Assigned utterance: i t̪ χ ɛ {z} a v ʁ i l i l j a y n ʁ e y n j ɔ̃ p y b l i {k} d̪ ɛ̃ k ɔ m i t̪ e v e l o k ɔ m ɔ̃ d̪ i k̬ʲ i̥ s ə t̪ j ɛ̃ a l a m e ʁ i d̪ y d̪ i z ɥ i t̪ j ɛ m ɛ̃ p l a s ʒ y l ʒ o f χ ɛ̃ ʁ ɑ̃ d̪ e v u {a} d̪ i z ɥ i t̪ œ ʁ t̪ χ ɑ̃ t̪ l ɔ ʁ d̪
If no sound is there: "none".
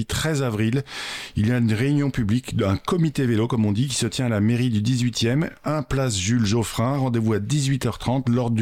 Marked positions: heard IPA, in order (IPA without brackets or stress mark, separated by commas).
z, k, a